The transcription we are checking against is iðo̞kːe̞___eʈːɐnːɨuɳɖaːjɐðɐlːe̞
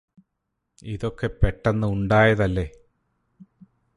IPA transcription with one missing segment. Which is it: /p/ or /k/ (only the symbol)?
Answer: p